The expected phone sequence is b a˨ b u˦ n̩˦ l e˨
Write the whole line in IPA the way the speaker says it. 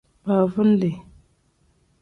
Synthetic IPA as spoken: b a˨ v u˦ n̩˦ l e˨